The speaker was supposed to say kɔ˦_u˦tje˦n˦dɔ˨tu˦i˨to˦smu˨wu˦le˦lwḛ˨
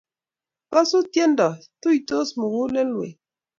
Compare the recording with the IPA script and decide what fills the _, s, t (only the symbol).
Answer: s